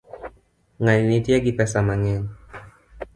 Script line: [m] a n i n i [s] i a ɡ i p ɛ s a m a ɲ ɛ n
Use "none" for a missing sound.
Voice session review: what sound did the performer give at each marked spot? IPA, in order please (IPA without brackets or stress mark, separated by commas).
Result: ŋ, t